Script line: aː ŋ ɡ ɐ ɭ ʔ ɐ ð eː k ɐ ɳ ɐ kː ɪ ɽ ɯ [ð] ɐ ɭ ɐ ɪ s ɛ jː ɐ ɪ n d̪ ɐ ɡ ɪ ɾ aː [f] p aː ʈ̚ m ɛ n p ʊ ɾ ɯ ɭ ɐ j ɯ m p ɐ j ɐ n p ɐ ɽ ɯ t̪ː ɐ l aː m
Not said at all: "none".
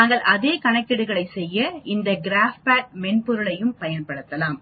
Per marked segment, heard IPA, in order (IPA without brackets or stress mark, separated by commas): ɣ, f